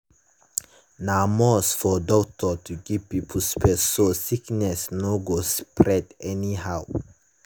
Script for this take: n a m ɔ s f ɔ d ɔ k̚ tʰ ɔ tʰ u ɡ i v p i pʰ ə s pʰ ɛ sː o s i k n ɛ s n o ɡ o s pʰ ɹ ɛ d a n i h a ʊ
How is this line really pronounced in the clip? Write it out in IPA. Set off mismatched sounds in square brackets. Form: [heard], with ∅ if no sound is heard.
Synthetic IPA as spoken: n a m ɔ s f ɔ d ɔ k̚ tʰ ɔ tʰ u ɡ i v p i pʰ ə s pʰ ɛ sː o s i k n ɛ s n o ɡ o s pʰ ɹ ɛ d [ɛ] n i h a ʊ